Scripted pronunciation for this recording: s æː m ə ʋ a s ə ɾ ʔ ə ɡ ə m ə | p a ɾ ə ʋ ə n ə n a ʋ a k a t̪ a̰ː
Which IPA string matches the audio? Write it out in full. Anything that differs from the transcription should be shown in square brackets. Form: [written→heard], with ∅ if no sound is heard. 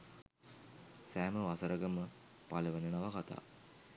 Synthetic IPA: s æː m ə ʋ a s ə ɾ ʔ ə ɡ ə m ə | p a [ɾ→l] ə ʋ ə n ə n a ʋ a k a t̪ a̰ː